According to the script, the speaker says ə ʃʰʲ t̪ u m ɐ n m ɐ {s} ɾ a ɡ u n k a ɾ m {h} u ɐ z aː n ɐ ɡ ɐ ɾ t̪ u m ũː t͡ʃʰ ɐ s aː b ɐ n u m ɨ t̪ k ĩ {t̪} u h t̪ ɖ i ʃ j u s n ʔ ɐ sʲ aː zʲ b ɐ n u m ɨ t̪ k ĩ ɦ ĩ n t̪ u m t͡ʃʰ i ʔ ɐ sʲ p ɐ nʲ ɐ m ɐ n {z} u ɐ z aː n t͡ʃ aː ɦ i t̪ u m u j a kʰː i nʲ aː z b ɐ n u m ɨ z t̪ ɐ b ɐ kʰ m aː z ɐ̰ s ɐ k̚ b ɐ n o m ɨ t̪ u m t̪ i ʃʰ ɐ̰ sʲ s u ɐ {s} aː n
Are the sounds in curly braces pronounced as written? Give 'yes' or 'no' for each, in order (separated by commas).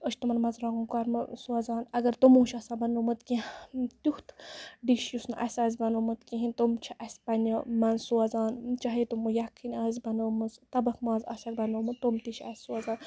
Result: no, no, yes, no, no